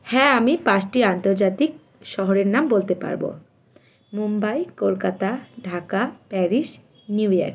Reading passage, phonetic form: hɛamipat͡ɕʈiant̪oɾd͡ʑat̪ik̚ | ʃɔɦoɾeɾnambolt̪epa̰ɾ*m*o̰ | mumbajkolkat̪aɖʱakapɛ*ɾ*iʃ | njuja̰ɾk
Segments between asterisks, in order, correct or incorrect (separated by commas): incorrect, correct